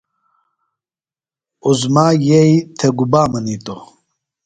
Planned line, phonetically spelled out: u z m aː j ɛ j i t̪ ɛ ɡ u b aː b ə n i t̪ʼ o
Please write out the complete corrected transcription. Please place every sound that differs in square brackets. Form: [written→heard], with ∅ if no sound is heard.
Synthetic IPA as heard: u z m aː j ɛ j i [t̪→t̪ʰ] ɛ ɡ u b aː [b→m] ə n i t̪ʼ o